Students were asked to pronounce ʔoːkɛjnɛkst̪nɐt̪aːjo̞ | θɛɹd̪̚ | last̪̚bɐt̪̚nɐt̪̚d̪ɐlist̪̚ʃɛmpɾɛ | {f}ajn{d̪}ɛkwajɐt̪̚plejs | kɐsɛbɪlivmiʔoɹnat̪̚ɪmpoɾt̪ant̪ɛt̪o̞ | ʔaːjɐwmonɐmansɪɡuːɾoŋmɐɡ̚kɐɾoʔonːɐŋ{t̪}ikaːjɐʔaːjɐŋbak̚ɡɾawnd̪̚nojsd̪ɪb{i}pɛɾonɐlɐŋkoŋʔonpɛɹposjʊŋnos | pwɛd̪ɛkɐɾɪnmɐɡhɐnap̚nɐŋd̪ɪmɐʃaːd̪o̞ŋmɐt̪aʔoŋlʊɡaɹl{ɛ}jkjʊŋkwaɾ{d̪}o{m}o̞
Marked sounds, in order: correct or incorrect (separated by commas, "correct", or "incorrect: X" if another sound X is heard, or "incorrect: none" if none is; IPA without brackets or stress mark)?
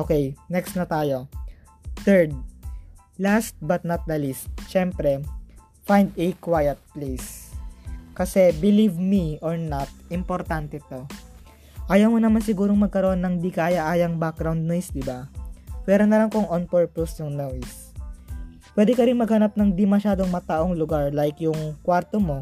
correct, correct, incorrect: d̪, incorrect: a, incorrect: a, incorrect: t̪, correct